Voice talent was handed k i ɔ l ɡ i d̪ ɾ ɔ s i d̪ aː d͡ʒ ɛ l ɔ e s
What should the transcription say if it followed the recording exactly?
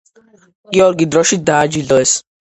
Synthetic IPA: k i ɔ l ɡ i d̪ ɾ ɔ ʃ i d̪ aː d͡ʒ i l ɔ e s